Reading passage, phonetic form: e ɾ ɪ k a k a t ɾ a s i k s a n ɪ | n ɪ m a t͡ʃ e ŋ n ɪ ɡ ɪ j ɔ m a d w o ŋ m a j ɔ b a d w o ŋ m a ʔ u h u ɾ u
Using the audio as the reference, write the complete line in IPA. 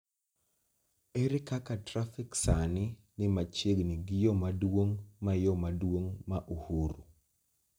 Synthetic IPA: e ɾ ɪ k a k a t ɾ a f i k s a n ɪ | n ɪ m a t͡ʃ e ɡ n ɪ ɡ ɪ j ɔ m a d w o ŋ m a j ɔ m a d w o ŋ m a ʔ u h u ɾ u